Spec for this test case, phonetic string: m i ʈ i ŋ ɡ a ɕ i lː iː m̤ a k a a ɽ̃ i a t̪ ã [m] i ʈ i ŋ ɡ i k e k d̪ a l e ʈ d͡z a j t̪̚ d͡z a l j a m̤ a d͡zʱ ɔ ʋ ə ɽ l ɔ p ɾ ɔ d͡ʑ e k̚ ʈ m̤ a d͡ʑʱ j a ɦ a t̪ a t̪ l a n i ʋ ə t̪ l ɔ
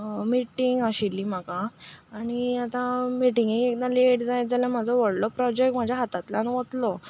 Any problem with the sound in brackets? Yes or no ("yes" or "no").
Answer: no